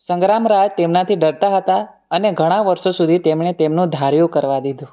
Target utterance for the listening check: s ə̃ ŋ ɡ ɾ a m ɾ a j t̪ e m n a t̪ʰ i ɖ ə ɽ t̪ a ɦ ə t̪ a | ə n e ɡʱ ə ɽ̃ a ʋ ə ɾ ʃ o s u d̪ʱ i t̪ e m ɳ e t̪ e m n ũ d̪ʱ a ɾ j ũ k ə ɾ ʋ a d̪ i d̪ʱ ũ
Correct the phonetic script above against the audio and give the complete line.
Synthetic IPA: s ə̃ ŋ ɡ ɾ a m ɾ a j t̪ e m n a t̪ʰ i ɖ ə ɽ t̪ a ɦ ə t̪ a | ə n e ɡʱ ə ɽ̃ a ʋ ə ɾ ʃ o s u d̪ʱ i t̪ e m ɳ e t̪ e m n ũ d̪ʱ a ɾ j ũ k ə ɾ ʋ a d̪ i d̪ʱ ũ